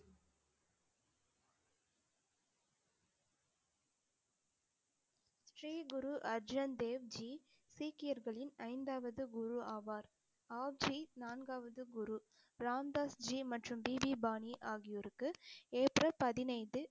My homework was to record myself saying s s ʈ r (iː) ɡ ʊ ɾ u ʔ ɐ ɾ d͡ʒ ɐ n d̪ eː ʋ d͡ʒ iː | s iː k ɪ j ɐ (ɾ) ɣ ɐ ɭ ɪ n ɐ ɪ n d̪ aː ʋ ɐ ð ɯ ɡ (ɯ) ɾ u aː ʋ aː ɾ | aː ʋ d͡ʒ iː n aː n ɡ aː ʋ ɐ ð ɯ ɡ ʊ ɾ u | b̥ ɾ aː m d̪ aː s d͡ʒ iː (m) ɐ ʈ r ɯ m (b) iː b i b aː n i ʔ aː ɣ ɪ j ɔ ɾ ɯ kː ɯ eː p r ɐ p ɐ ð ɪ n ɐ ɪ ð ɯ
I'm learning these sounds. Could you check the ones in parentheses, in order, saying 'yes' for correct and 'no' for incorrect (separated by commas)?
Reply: yes, yes, no, yes, yes